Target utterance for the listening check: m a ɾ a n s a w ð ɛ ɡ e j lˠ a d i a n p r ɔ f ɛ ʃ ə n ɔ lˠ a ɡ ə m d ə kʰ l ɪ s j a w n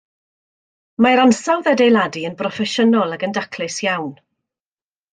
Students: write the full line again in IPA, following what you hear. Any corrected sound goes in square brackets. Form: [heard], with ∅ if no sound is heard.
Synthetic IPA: m a ɾ a n s a w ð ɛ [d] e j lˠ a d i [ə] n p r ɔ f ɛ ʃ ə n ɔ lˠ a ɡ ə [n] d [a] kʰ l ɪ s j a w n